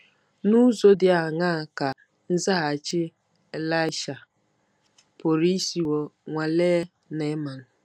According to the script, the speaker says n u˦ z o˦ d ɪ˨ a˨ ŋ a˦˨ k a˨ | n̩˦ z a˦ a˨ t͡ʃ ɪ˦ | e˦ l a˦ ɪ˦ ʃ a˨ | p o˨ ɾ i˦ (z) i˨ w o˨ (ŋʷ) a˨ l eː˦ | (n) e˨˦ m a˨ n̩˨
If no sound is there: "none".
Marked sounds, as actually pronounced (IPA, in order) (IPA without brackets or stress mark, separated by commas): s, ŋʷ, n